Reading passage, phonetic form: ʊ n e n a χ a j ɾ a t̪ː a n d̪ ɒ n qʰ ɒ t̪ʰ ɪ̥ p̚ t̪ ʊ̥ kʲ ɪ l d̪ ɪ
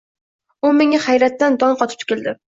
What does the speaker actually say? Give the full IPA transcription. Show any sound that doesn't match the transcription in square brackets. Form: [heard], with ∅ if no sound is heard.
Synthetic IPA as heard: ʊ [m] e [ŋ] a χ a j ɾ a t̪ː a n d̪ ɒ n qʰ ɒ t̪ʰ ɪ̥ p̚ t̪ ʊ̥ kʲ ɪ l d̪ ɪ